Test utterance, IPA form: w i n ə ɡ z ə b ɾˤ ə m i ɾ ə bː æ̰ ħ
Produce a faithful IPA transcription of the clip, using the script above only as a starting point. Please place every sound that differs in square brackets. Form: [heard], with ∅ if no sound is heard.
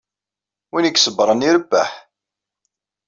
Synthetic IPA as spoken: w i n ə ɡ [s] ə b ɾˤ ə [n] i ɾ ə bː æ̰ ħ